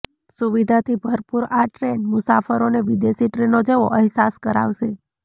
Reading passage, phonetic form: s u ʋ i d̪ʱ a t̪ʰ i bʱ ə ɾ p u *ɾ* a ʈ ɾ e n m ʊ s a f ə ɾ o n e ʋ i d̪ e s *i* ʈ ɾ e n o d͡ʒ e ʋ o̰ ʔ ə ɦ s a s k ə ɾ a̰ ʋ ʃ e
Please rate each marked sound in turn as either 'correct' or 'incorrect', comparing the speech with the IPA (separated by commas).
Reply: correct, correct